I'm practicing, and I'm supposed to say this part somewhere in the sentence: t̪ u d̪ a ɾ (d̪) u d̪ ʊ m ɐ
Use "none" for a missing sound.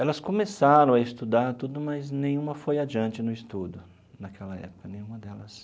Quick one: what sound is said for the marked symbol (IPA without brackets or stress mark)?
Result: t̪